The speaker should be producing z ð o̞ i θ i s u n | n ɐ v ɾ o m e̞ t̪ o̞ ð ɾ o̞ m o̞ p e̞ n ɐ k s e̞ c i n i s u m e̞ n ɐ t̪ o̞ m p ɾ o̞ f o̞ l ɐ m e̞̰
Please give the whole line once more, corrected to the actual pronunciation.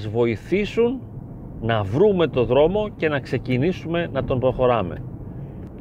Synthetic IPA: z v o̞ i θ i s u n | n ɐ v ɾ u m e̞ t̪ o̞ ð ɾ o̞ m o̞ c e̞ n ɐ k s e̞ c i n i s u m e̞ n ɐ t̪ o̞ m p ɾ o̞ x o̞ ɾ ɐ m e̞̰